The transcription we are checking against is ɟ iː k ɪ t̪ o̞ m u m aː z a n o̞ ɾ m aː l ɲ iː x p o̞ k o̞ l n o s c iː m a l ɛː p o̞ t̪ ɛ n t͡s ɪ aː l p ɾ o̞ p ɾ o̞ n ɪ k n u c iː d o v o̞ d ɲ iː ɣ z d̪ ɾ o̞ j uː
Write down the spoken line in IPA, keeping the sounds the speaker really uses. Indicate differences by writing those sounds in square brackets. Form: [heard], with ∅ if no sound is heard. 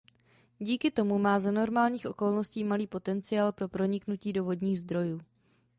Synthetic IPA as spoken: ɟ iː k ɪ t̪ o̞ m u m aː z a n o̞ ɾ m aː l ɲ iː x [ʔ] o̞ k o̞ l n o s c iː m a l [iː] p o̞ t̪ ɛ n t͡s ɪ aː l p ɾ o̞ p ɾ o̞ [ɲ] ɪ k n u c iː d o v o̞ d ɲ iː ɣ z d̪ ɾ o̞ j uː